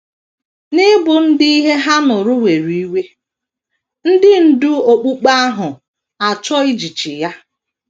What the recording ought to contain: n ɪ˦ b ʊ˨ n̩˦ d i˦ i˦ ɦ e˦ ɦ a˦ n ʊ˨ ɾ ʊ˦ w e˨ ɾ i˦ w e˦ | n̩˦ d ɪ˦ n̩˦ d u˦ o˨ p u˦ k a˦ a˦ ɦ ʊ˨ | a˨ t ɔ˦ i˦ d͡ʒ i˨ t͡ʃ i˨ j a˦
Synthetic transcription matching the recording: n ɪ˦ b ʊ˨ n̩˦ d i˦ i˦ ɦ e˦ ɦ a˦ n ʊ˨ ɾ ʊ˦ w e˨ ɾ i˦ w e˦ | n̩˦ d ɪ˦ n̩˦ d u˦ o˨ k͡p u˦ k͡p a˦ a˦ ɦ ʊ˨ | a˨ t͡ʃ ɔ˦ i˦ d͡ʒ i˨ t͡ʃ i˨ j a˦